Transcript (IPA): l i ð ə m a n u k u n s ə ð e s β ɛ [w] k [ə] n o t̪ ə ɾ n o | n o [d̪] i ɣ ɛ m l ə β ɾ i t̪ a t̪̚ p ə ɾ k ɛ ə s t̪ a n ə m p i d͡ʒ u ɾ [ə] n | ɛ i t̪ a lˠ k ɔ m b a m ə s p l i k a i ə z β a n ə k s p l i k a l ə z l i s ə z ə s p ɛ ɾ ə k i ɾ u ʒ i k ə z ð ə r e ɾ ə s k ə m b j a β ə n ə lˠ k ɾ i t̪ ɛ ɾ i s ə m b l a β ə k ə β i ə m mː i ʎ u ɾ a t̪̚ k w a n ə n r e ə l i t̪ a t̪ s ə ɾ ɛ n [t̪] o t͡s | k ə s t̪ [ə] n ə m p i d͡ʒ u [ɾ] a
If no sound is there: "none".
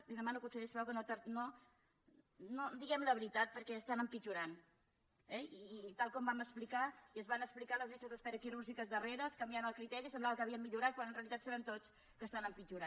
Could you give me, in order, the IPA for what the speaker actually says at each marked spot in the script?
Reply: w, ə, d̪, a, t̪, a, ɾ

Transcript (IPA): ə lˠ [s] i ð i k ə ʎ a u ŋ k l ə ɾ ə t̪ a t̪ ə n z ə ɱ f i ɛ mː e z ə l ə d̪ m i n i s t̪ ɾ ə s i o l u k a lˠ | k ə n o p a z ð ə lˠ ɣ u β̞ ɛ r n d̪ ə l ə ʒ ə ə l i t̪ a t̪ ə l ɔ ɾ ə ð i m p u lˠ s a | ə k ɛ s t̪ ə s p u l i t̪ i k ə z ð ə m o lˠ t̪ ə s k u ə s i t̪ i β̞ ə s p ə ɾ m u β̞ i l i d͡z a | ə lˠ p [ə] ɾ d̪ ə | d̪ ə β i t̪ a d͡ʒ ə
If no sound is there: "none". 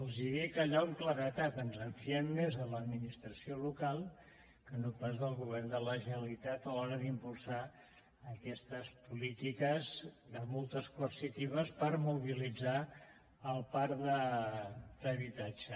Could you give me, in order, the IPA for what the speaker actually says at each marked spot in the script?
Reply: z, a

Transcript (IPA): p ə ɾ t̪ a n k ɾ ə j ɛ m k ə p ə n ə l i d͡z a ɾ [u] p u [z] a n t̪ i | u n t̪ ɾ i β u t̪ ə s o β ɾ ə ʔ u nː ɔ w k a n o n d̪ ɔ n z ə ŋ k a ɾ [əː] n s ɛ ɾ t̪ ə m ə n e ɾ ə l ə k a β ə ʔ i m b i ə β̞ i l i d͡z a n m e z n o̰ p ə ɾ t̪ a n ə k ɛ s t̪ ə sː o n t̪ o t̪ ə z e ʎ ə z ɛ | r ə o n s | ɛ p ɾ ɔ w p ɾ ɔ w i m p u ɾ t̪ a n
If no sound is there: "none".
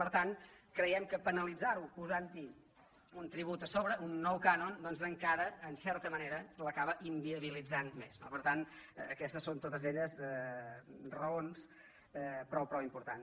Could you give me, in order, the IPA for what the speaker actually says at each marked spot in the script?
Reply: u, z, əː

